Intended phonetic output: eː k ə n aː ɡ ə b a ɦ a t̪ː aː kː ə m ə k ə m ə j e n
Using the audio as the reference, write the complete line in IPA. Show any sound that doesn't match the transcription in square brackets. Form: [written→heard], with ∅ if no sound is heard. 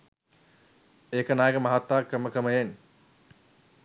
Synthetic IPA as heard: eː k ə n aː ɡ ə [b→m] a ɦ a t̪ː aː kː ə m ə k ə m ə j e n